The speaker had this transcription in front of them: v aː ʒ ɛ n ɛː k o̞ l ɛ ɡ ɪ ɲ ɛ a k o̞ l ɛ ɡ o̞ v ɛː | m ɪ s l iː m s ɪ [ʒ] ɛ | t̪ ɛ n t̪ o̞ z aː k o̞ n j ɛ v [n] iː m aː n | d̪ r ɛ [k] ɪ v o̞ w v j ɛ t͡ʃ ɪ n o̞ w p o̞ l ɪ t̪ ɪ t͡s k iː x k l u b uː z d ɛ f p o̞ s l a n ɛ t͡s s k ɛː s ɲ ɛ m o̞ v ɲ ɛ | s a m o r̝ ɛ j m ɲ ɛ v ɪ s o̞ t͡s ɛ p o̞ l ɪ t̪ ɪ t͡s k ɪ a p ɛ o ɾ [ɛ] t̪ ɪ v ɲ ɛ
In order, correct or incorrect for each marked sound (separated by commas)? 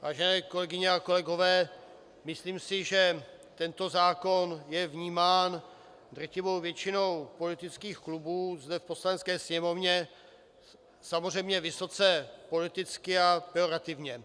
correct, incorrect, incorrect, incorrect